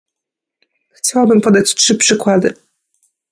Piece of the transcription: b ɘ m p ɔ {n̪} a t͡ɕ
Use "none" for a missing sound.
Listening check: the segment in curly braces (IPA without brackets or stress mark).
d̪